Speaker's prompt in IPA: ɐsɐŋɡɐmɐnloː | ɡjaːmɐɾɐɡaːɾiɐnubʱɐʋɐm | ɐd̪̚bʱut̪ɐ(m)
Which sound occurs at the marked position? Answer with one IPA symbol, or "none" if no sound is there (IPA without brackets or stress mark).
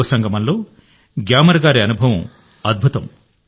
m